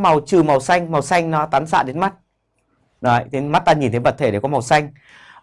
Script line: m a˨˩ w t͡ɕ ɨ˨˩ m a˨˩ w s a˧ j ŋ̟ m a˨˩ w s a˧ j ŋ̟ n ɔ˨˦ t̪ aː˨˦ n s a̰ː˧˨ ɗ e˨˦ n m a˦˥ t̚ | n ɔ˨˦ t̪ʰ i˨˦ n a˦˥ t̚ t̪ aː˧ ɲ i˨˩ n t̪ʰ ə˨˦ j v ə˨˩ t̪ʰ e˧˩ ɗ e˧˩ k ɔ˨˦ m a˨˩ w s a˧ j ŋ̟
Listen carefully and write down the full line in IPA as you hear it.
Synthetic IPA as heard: m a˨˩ w t͡ɕ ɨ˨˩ m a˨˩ w s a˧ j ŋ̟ m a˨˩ w s a˧ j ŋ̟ n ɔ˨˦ t̪ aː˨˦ n s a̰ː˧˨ ɗ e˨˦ n m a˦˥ t̚ | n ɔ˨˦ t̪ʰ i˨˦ m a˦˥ t̚ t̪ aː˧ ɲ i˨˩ n t̪ʰ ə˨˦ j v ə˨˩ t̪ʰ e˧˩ ɗ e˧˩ k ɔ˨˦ m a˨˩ w s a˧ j ŋ̟